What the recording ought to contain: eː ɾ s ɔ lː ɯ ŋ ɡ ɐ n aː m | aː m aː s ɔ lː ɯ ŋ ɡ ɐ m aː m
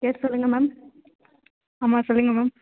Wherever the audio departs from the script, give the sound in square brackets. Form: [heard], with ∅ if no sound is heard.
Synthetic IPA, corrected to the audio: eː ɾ s ɔ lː ɯ ŋ ɡ ɐ [m] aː m | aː m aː s ɔ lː ɯ ŋ ɡ ɐ m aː m